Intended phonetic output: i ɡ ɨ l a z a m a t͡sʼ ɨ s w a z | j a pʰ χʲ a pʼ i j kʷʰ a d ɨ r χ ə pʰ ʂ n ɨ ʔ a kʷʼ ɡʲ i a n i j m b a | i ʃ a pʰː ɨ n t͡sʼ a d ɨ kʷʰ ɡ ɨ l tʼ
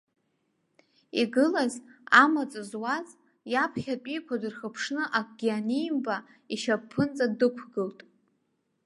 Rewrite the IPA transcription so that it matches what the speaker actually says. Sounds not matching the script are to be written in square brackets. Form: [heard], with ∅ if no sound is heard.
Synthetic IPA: i ɡ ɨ l a z a m a t͡sʼ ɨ [z] w a z | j a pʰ χʲ a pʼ i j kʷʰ a d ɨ r χ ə pʰ ʂ n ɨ ʔ a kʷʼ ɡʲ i a n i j m b a | i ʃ a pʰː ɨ n t͡sʼ a d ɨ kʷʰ ɡ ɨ l tʼ